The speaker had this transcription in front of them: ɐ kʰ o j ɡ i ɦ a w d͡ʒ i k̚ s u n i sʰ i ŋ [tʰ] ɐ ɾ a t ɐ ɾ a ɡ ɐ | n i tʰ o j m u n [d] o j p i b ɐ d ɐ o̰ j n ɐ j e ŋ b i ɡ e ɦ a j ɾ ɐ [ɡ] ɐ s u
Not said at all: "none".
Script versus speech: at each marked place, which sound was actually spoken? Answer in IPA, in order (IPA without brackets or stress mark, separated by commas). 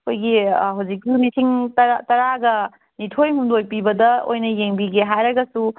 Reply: t, d, ɡ